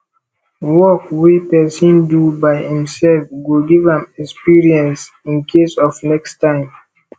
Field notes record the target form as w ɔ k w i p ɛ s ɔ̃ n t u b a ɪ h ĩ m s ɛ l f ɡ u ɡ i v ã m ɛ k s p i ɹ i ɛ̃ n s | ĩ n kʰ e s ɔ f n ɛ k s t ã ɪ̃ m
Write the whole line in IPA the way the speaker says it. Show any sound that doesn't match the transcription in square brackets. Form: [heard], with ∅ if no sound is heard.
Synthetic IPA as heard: w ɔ k w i p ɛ s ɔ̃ n [d] u b a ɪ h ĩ m s ɛ l f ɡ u ɡ i v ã m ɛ k s p i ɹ i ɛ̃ n s | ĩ n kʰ e s ɔ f n ɛ k s t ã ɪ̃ m